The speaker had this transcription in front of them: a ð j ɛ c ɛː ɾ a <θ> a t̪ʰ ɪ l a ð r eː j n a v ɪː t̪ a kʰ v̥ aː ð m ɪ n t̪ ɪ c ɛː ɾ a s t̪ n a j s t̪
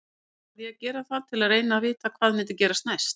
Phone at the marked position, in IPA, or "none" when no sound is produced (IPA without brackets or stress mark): θ